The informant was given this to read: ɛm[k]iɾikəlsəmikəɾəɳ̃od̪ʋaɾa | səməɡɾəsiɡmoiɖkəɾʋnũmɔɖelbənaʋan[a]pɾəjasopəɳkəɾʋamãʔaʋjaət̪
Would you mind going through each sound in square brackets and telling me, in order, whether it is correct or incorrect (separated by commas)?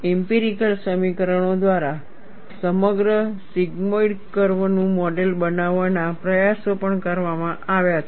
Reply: incorrect, correct